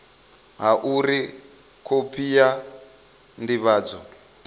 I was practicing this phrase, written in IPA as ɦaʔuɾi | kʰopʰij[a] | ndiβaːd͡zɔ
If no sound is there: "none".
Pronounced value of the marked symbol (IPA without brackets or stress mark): a